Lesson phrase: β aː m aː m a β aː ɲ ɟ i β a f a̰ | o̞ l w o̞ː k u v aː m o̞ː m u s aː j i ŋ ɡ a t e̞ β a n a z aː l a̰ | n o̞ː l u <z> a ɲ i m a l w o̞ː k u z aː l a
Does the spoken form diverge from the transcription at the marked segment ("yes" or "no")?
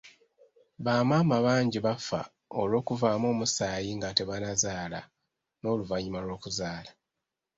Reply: yes